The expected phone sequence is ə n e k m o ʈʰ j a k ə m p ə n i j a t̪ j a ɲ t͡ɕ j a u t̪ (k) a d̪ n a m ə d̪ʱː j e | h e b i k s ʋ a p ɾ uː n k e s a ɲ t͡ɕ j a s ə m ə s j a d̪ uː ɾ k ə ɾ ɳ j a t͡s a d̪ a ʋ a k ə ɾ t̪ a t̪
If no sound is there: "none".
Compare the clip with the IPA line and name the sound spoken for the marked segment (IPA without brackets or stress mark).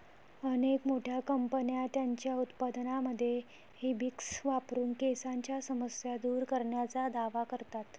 p